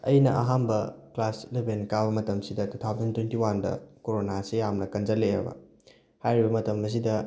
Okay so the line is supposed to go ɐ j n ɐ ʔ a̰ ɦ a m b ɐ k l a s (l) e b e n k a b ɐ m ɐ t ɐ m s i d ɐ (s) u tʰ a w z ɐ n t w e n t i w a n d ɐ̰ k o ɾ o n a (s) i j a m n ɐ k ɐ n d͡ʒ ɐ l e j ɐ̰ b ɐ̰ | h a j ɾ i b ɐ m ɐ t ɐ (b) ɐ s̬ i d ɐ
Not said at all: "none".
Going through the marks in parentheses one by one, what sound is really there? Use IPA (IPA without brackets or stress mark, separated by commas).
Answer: l, t, s, m